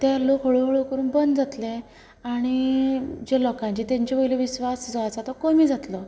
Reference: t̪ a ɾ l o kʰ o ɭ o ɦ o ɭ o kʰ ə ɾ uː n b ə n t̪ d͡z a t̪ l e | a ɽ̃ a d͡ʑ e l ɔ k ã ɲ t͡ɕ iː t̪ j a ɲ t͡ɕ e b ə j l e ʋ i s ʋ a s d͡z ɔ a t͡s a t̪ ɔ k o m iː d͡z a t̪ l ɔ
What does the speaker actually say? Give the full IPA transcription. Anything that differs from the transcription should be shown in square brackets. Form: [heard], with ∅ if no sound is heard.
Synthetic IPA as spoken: t̪ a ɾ l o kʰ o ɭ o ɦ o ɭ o [k] ə ɾ uː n b ə n [d̪] d͡z a t̪ l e | a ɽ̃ [i] d͡ʑ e l ɔ k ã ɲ t͡ɕ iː t̪ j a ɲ t͡ɕ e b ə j l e ʋ i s ʋ a s d͡z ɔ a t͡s a t̪ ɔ k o m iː d͡z a t̪ l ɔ